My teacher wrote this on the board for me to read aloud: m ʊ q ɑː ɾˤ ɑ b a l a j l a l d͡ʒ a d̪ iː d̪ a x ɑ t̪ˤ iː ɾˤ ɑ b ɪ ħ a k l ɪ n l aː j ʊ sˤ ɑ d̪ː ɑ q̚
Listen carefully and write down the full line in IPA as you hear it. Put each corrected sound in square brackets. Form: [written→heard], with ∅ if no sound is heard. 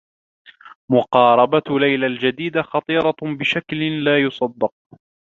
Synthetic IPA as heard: m ʊ q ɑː ɾˤ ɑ b a l a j l a l d͡ʒ a d̪ iː d̪ a x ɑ t̪ˤ iː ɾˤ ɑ b ɪ [ħ→ʃ] a k l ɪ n l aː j ʊ sˤ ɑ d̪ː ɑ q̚